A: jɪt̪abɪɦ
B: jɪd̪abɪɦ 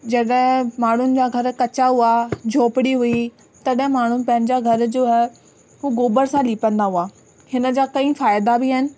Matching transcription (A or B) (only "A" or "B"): B